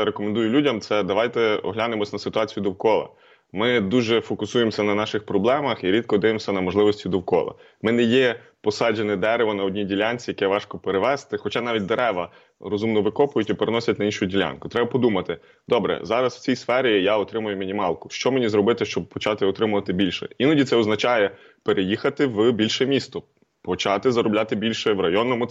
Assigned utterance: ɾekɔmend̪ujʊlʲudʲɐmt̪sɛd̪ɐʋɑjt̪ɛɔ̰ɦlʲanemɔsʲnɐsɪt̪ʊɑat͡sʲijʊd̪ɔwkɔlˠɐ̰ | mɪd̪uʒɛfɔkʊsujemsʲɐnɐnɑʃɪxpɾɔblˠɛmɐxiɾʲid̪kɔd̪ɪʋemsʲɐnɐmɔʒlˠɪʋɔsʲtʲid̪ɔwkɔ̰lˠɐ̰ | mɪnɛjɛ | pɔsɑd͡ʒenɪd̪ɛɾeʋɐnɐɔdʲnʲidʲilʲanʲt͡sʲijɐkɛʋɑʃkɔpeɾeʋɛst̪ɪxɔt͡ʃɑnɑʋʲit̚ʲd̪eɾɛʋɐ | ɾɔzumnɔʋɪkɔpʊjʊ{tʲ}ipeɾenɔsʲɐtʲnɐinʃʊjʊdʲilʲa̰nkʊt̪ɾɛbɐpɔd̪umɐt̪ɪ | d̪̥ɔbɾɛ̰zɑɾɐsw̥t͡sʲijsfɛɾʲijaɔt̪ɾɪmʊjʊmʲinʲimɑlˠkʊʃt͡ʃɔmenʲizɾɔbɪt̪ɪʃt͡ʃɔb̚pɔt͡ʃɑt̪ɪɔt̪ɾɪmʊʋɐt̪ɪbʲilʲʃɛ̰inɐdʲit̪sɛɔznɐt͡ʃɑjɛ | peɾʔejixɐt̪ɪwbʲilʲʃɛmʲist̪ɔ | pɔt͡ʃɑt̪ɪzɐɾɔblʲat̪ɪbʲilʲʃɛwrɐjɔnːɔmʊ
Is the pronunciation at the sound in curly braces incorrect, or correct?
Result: correct